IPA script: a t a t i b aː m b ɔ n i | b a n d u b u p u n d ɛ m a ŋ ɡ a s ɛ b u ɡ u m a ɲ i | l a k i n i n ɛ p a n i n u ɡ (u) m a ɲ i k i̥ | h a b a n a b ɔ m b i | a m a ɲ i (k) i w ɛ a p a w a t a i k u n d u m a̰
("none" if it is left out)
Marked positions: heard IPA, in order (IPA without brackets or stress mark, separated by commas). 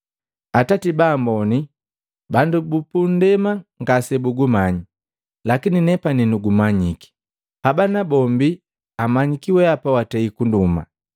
u, k